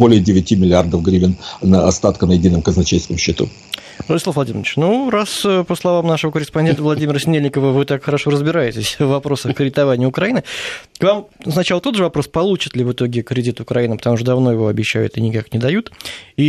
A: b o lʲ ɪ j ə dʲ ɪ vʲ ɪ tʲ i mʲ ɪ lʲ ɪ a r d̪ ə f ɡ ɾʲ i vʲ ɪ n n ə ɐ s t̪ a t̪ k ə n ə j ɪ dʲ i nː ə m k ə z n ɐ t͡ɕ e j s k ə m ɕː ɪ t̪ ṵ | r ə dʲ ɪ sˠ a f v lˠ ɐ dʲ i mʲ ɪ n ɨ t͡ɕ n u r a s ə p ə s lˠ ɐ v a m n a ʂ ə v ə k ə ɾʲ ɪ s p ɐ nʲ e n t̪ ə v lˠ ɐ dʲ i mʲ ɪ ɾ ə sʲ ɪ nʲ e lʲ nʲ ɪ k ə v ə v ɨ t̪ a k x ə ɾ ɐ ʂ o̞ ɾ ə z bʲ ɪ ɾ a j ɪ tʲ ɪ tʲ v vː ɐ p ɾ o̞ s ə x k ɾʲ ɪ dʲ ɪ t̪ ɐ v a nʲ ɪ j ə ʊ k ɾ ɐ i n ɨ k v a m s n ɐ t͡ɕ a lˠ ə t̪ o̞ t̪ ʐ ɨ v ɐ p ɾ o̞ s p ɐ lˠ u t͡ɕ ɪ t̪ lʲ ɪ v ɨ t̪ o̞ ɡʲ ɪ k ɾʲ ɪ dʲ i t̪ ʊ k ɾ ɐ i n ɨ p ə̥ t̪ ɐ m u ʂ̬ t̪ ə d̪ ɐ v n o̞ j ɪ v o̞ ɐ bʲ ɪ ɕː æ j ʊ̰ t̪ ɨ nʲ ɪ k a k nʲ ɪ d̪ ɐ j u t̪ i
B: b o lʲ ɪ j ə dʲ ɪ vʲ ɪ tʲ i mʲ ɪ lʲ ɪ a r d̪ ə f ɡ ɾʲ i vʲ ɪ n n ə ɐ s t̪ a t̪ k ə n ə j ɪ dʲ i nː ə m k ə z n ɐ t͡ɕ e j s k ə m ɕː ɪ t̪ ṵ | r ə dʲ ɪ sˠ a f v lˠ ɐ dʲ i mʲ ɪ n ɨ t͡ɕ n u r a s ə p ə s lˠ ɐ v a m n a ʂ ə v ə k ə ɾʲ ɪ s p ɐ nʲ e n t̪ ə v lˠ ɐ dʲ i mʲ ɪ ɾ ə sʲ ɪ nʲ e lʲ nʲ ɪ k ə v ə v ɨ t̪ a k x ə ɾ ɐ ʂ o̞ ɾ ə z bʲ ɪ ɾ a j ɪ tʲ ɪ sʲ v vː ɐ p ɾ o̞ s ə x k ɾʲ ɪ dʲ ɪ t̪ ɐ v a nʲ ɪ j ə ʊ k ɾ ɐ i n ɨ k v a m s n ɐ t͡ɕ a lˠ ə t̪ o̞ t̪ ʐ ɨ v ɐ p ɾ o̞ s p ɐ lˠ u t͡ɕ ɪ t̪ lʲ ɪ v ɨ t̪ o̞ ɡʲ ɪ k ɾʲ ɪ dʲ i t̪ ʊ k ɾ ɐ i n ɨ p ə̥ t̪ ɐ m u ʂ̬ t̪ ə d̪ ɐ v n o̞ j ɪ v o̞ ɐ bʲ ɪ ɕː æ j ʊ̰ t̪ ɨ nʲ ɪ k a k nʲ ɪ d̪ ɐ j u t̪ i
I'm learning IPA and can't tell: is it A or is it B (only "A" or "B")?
B